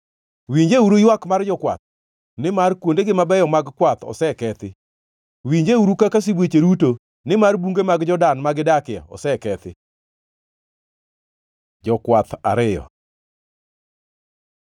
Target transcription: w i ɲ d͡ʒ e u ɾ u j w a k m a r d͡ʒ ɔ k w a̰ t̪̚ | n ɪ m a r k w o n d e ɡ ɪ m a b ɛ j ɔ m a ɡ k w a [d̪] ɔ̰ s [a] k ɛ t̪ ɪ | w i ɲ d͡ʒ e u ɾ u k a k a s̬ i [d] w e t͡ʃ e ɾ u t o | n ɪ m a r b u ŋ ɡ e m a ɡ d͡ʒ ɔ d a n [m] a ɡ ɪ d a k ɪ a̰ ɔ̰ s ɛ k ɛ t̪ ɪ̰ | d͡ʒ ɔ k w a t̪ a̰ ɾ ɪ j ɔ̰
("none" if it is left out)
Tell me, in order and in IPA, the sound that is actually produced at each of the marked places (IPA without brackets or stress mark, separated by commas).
t̪, ɛ, b, m